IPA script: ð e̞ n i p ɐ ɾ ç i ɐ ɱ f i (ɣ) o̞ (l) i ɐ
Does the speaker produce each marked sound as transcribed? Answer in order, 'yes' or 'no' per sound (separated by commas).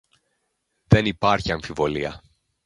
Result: no, yes